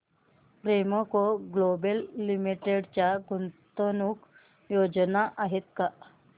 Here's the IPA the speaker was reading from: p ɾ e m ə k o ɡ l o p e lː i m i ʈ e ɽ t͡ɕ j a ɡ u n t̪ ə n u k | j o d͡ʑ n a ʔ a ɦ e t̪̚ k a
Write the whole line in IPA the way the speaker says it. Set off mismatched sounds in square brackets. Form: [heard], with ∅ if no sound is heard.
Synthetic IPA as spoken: p ɾ e m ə k o ɡ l o [b] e lː i m i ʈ e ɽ t͡ɕ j a ɡ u n t̪ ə n u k | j o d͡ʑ n a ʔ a ɦ e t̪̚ k a